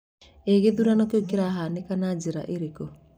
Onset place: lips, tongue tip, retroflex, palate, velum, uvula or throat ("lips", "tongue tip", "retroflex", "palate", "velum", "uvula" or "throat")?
velum